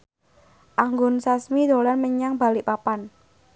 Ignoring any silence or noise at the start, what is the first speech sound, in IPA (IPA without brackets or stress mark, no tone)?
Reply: ʔ